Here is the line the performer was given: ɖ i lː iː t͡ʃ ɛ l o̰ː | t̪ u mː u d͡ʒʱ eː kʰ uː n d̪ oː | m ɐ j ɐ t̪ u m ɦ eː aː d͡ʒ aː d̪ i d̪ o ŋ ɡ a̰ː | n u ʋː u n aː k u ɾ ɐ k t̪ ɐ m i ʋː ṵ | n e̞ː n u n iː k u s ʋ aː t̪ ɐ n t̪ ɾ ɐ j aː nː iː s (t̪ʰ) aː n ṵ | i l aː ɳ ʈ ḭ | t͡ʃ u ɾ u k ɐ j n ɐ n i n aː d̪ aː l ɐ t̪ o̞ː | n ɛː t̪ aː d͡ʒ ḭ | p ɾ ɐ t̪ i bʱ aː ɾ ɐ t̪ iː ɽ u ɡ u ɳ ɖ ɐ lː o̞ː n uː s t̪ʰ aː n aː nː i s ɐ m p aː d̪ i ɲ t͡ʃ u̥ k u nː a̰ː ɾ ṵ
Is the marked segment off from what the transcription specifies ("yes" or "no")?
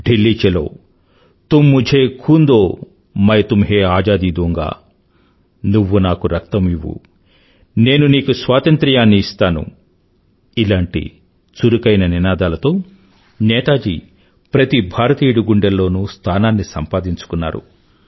yes